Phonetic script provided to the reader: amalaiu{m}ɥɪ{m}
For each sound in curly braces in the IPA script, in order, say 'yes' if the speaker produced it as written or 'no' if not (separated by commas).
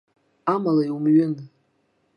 yes, no